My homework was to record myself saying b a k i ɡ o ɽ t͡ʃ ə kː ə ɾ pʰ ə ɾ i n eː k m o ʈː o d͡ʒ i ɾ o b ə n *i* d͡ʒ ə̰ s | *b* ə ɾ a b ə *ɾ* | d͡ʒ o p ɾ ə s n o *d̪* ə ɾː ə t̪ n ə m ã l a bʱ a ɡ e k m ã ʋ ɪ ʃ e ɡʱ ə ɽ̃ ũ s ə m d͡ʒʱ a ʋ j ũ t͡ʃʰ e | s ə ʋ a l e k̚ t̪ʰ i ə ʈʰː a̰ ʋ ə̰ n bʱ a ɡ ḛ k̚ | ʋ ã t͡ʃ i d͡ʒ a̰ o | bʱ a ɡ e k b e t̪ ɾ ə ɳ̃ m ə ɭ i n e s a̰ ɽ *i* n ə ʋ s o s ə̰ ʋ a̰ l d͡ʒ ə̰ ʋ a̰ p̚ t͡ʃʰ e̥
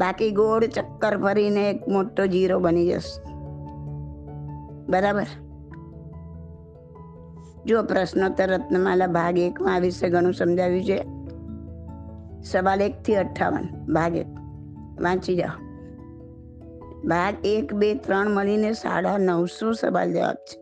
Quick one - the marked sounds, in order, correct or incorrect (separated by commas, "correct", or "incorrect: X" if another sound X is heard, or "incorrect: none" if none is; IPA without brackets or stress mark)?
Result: correct, correct, correct, incorrect: t̪, incorrect: a